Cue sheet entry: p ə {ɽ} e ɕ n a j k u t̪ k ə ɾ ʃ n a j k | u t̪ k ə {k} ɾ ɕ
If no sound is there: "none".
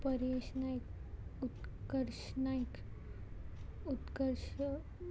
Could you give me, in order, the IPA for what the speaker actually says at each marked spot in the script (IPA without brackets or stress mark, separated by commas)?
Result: ɾ, none